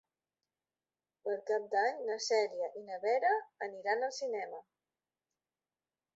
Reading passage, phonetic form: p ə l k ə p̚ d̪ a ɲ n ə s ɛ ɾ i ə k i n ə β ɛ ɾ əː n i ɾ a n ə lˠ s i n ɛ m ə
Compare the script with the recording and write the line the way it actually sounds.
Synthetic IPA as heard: p ə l k a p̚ d̪ a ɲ n ə s ɛ ɾ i ə ʔ i n ə β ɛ ɾ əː n i ɾ a n ə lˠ s i n ɛ m ə